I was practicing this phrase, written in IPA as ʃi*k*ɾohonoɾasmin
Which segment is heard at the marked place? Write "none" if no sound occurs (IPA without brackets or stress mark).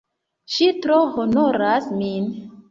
t